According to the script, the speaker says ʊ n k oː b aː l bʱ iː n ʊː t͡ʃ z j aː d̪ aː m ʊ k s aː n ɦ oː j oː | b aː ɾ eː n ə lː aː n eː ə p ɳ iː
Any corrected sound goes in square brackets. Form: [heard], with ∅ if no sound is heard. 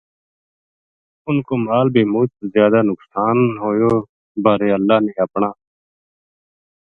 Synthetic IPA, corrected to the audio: ʊ n k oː [m] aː l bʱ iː [m] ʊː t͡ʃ z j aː d̪ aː [n] ʊ k s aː n ɦ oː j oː | b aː ɾ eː [∅] ə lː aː n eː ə p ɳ [aː]